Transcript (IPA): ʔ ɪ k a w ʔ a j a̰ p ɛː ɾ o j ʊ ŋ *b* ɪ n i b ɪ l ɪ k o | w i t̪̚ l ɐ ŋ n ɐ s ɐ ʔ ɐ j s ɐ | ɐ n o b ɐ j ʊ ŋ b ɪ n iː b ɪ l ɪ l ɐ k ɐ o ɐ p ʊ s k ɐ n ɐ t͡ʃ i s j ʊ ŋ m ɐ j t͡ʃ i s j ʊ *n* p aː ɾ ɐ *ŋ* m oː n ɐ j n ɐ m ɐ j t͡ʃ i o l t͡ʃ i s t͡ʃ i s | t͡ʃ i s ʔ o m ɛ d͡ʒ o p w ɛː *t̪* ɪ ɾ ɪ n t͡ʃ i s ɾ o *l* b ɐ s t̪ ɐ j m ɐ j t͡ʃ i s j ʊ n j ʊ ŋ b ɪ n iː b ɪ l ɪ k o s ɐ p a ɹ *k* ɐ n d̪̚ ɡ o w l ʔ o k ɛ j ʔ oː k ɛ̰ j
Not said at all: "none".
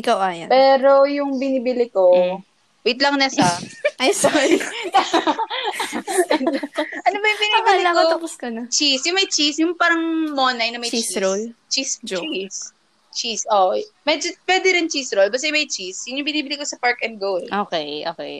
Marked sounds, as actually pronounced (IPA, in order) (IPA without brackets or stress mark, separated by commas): b, ŋ, ŋ, d̪, l, k